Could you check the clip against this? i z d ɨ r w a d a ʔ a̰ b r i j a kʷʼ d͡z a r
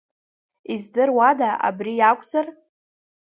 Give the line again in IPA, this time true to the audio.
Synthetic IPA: i z d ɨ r w a d a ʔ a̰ b r i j a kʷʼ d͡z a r